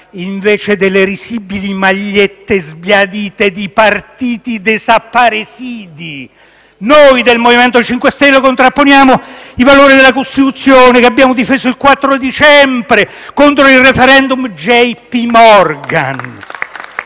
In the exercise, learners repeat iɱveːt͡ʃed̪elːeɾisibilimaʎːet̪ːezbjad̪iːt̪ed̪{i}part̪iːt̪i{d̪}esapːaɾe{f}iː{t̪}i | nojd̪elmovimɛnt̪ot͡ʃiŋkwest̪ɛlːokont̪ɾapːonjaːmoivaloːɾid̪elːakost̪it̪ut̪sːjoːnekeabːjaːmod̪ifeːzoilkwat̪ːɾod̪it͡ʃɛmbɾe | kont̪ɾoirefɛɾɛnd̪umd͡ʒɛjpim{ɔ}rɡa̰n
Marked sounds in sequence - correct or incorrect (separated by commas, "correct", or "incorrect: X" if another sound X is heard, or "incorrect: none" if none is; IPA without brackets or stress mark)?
correct, correct, incorrect: s, incorrect: d̪, correct